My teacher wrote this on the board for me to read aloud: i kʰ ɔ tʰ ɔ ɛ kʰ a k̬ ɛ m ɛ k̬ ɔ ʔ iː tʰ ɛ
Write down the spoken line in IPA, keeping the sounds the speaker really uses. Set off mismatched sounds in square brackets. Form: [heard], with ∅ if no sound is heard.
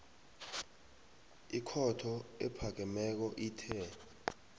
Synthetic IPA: i kʰ ɔ tʰ ɔ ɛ [pʰ] a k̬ ɛ m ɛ k̬ ɔ ʔ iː tʰ ɛ